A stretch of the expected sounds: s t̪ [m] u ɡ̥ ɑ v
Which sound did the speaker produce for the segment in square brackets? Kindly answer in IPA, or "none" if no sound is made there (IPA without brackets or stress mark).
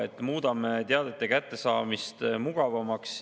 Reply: m